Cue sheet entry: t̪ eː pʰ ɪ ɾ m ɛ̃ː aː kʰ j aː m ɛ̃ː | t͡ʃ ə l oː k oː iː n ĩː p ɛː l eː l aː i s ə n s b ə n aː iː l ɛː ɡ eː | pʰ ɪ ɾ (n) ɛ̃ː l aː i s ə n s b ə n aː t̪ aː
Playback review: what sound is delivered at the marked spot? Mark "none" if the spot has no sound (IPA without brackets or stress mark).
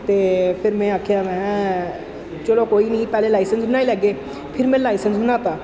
m